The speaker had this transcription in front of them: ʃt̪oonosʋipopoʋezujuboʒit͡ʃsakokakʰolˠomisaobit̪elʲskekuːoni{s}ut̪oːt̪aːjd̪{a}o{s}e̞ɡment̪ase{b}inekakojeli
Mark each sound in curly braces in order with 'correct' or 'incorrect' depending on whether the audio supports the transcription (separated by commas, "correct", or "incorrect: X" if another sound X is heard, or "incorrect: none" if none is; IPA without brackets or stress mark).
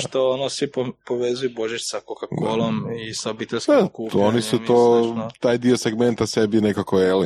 correct, incorrect: i, correct, correct